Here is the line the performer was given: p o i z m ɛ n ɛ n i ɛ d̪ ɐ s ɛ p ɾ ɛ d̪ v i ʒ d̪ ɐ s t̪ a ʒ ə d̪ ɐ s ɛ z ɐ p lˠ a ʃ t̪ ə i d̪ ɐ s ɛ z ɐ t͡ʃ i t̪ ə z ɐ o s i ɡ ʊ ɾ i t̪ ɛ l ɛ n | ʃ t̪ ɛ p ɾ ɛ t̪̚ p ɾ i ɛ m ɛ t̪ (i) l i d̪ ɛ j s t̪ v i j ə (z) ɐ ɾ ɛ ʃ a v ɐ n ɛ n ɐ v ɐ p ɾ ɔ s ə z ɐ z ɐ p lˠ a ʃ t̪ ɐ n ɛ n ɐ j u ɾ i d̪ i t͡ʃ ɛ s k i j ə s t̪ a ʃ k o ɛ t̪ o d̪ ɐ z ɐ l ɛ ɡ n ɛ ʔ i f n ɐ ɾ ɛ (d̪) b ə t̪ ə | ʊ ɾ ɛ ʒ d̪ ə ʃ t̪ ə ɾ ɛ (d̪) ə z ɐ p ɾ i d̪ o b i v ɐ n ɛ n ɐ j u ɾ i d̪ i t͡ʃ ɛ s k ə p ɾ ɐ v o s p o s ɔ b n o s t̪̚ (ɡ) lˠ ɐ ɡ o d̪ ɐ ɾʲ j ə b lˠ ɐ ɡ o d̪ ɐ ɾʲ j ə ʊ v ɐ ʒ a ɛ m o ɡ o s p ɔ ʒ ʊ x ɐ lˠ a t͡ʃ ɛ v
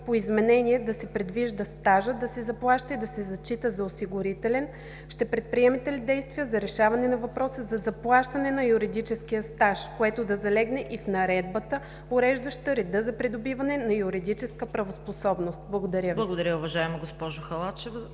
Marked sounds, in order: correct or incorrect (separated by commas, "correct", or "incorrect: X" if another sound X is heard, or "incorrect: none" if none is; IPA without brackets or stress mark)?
incorrect: ɛ, correct, correct, correct, incorrect: b